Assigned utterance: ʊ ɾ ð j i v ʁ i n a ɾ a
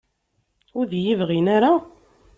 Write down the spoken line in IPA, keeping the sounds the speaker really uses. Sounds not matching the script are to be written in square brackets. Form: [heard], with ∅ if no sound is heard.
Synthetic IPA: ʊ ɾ ð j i v ʁ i n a ɾ a